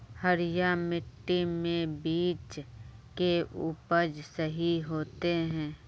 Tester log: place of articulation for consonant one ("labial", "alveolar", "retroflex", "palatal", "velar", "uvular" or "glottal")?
glottal